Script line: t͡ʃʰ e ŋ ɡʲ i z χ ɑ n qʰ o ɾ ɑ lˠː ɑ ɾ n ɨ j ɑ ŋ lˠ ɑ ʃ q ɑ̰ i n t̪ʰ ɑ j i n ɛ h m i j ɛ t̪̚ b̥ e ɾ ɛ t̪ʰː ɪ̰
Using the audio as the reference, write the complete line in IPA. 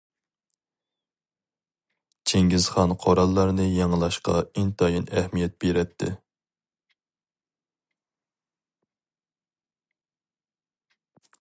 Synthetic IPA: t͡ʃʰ e ŋ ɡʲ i z χ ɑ n qʰ o ɾ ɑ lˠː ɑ ɾ n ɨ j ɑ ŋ lˠ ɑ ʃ q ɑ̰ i n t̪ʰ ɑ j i n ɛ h m i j ɛ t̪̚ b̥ e ɾ ɛ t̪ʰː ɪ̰